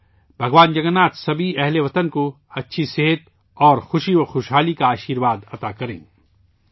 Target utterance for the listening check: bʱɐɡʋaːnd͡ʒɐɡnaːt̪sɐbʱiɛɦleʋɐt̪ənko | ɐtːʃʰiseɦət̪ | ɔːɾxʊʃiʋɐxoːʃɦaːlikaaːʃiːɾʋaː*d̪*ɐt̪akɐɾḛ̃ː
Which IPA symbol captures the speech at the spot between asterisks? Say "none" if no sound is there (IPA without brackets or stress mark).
d̪